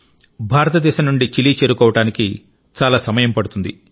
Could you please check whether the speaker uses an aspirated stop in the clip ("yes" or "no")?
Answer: no